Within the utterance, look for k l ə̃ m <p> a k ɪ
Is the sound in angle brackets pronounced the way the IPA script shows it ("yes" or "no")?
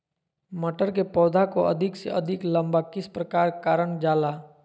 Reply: no